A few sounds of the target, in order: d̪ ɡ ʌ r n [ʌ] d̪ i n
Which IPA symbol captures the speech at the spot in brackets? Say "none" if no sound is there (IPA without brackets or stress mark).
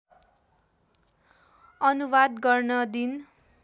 ʌ